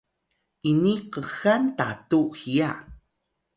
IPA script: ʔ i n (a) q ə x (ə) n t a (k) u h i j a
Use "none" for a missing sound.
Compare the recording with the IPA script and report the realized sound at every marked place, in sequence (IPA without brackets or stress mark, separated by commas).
i, a, t